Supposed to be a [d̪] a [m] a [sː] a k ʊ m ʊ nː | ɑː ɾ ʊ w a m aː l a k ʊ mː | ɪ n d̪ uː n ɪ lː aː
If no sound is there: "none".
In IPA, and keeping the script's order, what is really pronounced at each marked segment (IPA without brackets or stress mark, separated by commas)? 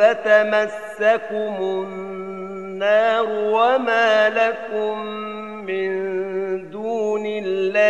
t̪, m, sː